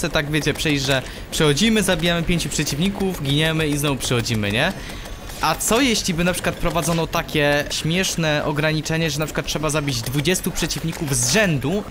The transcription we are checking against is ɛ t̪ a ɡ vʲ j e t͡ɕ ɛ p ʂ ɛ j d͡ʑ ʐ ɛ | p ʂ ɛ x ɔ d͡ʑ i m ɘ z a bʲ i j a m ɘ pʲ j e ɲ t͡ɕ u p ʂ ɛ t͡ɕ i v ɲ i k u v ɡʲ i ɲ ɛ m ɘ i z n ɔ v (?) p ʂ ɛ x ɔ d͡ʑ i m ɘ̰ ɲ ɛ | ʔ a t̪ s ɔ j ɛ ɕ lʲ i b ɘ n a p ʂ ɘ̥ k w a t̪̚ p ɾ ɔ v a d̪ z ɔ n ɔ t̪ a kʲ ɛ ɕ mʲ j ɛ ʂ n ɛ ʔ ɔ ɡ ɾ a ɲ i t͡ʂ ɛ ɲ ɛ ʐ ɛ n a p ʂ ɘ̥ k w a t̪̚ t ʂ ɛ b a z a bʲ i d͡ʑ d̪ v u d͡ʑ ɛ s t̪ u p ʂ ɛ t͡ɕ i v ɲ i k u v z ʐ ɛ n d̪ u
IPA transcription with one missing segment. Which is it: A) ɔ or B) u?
B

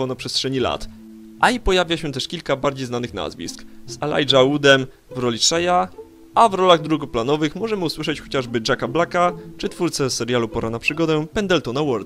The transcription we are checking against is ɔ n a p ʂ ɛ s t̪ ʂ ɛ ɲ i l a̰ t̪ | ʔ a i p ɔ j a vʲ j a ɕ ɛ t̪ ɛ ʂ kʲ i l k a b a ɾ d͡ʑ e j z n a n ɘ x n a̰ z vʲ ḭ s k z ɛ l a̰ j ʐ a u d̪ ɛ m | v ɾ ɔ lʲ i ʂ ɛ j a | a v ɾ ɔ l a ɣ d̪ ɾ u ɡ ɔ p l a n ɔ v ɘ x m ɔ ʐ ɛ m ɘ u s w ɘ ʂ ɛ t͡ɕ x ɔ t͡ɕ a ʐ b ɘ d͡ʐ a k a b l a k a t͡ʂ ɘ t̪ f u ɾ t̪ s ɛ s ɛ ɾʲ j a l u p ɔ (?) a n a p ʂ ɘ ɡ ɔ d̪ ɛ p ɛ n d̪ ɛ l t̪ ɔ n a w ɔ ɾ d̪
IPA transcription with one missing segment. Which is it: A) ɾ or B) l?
A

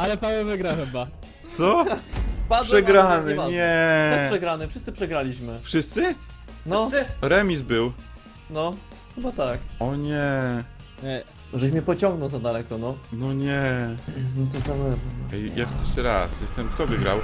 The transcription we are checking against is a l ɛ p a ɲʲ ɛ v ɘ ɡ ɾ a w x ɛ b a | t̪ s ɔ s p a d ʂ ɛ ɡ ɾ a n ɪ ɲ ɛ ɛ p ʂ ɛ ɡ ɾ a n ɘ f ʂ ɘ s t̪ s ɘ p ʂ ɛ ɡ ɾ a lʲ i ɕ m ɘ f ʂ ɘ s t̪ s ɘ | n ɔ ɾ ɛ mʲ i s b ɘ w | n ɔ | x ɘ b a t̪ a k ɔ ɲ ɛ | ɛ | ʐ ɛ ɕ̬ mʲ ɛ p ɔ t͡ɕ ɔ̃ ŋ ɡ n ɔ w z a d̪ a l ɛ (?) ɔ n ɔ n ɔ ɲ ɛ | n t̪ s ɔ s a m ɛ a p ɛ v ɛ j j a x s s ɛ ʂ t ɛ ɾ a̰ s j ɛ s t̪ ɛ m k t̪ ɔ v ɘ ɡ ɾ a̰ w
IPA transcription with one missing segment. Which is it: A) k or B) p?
A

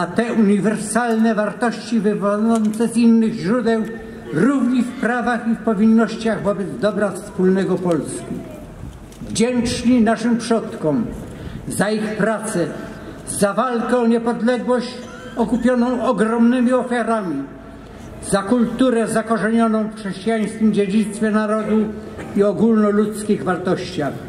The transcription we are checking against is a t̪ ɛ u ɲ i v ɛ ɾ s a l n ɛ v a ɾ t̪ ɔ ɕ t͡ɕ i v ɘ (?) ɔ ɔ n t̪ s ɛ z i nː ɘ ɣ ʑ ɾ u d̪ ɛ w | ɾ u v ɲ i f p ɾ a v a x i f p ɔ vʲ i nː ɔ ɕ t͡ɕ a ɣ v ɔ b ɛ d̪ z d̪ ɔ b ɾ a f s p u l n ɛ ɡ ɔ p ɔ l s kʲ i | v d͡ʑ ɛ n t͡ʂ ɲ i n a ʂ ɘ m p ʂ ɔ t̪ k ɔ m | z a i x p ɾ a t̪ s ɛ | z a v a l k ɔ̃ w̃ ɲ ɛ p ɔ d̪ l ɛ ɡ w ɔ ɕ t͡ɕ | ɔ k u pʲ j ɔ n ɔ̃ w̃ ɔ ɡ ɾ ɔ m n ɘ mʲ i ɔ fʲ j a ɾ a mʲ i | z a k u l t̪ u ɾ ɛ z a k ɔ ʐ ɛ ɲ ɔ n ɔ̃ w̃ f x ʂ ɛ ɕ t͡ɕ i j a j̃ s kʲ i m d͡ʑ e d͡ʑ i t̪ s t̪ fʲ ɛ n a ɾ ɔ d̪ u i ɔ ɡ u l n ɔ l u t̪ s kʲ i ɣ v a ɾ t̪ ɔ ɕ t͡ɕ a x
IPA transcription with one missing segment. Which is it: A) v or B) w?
A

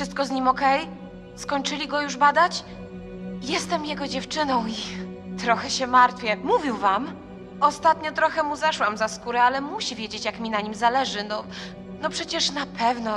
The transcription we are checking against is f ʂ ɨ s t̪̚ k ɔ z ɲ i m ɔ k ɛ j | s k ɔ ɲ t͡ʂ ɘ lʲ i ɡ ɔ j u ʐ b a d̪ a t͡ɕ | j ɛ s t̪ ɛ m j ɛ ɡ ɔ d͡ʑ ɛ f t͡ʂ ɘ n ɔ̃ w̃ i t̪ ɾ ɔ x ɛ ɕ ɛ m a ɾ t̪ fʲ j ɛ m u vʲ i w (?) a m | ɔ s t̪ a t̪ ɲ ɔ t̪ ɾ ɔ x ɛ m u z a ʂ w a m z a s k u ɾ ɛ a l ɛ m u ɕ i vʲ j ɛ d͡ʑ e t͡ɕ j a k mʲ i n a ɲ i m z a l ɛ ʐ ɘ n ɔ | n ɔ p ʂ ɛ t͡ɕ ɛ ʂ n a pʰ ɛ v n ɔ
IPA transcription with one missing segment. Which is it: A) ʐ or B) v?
B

